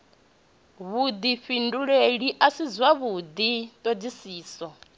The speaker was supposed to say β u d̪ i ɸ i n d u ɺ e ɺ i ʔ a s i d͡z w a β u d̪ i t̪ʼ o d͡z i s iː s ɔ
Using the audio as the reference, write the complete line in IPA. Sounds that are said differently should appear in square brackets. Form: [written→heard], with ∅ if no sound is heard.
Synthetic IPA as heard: β u d̪ i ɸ i n d u ɺ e ɺ i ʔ a s i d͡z w a β u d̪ i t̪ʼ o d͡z i s iː s ɔ